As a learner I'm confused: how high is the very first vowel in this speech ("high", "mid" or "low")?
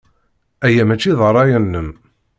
low